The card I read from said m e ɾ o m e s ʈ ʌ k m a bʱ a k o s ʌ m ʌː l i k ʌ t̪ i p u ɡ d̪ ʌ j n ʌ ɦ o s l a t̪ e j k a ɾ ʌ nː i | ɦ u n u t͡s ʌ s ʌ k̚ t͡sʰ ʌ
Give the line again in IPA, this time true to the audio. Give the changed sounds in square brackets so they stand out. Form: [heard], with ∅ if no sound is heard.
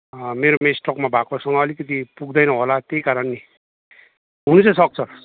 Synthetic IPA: m e ɾ o m e s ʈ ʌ k m a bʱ a k o s ʌ [ŋ] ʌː l i k ʌ t̪ i p u ɡ d̪ ʌ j n ʌ ɦ o [∅] l a t̪ e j k a ɾ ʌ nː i | ɦ u n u t͡s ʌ s ʌ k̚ t͡sʰ ʌ